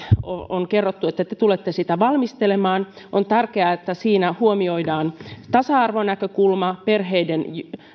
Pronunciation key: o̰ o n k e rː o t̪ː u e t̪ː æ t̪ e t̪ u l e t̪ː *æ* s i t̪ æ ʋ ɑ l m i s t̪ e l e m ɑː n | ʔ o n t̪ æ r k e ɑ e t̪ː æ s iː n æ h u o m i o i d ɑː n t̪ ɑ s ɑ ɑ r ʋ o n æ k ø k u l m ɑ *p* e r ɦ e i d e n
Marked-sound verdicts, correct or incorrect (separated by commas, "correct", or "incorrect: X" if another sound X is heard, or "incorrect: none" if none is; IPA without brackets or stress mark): incorrect: e, correct